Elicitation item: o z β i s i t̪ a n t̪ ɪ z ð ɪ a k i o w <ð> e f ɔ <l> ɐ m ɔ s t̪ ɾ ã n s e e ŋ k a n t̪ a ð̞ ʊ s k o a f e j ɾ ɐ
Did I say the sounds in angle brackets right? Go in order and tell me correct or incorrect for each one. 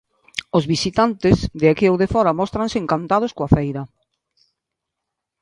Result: correct, incorrect: ɾ

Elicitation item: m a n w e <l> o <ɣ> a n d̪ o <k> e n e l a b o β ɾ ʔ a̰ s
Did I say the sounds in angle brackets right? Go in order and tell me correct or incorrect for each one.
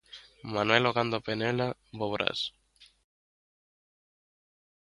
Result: correct, correct, incorrect: p

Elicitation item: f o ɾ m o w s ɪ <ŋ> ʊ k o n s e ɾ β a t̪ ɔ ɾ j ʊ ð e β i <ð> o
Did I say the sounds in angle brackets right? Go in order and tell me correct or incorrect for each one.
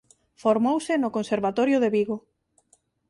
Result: incorrect: n, incorrect: ɣ

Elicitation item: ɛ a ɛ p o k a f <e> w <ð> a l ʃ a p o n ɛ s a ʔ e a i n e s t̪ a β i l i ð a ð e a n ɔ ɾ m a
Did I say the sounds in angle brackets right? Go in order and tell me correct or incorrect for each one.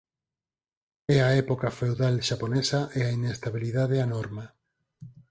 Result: correct, correct

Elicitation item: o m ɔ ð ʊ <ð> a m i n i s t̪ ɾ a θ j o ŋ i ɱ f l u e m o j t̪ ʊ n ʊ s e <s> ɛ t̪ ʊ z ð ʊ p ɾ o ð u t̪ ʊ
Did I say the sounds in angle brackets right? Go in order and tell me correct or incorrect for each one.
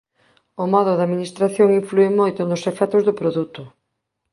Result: correct, incorrect: f

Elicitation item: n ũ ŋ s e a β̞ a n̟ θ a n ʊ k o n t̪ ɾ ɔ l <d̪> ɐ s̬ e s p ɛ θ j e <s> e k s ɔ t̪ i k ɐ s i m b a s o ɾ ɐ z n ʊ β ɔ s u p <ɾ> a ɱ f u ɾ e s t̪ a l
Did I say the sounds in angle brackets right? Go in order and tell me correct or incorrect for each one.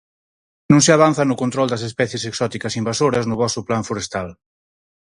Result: correct, correct, incorrect: l

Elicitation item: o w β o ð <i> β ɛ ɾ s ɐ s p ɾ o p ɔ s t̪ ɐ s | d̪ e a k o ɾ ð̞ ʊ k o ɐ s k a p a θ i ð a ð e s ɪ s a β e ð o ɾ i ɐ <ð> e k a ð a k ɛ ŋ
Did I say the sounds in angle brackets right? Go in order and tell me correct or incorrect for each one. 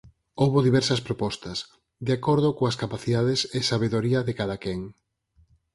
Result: correct, correct

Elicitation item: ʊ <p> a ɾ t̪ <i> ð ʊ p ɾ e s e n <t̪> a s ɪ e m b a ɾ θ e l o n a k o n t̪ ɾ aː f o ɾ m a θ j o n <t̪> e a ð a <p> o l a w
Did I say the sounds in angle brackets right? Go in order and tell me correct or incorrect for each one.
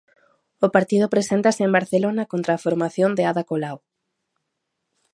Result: correct, correct, correct, incorrect: d̪, incorrect: k

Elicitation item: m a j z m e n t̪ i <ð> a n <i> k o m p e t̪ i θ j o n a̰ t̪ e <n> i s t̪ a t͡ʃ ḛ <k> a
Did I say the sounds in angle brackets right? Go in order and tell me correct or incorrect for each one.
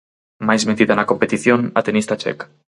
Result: correct, incorrect: a, correct, correct

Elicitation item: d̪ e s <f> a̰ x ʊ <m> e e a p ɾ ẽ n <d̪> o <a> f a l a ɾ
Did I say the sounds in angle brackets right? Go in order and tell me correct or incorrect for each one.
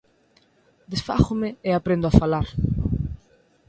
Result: correct, correct, correct, correct

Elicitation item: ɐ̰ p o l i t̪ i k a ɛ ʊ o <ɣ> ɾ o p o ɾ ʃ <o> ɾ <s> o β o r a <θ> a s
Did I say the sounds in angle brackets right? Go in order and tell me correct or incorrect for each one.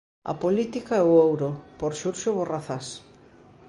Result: incorrect: w, incorrect: u, incorrect: ʃ, correct

